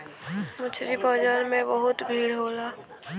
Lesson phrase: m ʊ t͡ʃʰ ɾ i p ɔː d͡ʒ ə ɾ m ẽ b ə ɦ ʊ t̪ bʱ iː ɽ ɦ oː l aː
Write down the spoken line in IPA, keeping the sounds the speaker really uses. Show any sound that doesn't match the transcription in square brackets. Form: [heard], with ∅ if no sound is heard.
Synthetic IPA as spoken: m ʊ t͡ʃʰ ɾ i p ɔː d͡ʒ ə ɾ m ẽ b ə ɦ ʊ t̪ bʱ iː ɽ ɦ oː l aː